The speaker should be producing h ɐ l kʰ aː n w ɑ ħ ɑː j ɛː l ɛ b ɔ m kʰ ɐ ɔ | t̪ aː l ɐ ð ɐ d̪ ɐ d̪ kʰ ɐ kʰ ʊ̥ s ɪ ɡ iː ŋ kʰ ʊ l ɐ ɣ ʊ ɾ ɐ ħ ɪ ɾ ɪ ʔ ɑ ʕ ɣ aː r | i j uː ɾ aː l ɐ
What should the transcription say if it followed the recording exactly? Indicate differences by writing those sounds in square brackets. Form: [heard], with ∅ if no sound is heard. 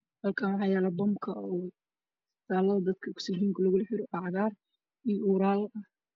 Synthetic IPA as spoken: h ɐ l kʰ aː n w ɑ ħ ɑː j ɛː l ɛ b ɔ m kʰ ɐ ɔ | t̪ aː l ɐ ð ɐ d̪ ɐ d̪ kʰ ɐ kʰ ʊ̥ s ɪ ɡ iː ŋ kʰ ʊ l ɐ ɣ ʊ [l] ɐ ħ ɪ ɾ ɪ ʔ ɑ ʕ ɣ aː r | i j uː ɾ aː l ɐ